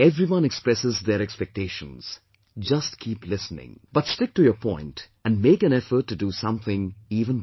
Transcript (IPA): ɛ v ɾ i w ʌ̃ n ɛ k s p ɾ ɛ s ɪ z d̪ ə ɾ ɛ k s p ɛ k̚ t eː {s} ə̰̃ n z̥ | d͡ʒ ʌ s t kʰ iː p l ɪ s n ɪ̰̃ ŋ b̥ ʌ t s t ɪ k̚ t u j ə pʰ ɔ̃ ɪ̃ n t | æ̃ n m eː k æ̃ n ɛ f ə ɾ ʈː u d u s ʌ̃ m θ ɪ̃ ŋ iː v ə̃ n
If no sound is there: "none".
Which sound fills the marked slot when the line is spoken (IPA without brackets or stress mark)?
ʃ